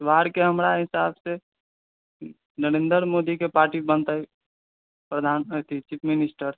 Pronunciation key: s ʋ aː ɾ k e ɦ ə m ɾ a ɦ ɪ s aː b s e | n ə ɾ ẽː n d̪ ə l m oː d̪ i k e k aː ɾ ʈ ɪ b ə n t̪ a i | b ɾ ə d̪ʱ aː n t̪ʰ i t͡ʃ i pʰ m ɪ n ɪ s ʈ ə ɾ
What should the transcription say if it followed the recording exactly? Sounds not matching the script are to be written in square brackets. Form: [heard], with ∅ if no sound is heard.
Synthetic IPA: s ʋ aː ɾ k e ɦ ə m ɾ a ɦ ɪ s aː b s e | n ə ɾ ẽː n d̪ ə [ɾ] m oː d̪ i k e [p] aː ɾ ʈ [i] b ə n t̪ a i | [p] ɾ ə d̪ʱ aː n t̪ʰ i t͡ʃ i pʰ m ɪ n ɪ s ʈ ə ɾ